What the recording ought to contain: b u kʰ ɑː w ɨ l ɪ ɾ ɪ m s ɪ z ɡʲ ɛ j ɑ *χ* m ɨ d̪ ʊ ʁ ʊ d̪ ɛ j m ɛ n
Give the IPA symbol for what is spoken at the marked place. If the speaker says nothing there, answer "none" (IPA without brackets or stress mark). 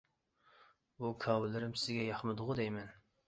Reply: χ